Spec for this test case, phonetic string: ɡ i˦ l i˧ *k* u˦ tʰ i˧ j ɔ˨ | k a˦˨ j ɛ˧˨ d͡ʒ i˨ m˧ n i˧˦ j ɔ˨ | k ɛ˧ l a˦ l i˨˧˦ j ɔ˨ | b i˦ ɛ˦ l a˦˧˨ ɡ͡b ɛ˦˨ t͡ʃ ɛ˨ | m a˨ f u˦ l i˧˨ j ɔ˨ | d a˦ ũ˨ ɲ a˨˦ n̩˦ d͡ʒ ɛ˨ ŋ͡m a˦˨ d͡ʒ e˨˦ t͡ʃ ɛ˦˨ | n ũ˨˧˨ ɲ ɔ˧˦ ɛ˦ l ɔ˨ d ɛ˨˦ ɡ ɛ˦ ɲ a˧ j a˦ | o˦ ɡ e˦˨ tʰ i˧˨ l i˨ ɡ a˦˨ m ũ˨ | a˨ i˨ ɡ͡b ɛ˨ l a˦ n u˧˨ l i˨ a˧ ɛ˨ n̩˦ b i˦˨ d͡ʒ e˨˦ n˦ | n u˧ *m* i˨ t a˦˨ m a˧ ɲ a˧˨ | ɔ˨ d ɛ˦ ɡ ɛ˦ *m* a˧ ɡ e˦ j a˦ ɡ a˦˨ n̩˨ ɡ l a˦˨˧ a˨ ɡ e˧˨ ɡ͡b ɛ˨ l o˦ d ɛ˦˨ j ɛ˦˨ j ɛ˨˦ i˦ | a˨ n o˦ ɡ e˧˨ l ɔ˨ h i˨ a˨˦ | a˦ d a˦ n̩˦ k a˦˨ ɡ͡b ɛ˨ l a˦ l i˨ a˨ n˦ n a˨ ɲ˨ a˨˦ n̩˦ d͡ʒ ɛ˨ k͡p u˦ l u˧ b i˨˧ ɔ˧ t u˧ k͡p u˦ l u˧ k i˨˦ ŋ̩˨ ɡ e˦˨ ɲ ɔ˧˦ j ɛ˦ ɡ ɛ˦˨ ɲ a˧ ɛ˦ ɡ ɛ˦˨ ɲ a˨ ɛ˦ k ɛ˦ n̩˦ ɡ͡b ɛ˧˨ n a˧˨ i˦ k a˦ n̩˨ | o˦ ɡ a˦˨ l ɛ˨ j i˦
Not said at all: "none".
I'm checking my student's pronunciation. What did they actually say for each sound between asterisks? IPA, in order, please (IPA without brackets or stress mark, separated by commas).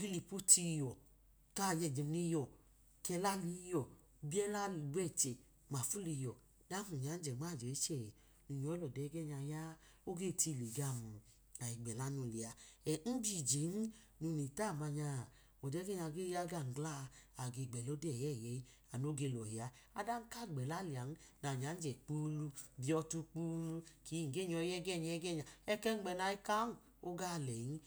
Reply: p, n, ɲ